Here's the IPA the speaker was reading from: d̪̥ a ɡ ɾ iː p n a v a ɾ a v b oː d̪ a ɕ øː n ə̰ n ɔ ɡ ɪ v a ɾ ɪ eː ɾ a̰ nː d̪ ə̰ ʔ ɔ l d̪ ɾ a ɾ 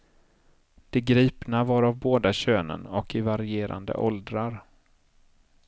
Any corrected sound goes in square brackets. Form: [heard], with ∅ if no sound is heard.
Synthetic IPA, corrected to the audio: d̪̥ [ɛ] ɡ ɾ iː p n a v a ɾ a v b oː d̪ a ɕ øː n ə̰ n ɔ [k] ɪ v a ɾ ɪ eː ɾ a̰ [n] d̪ ə̰ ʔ ɔ l d̪ ɾ a ɾ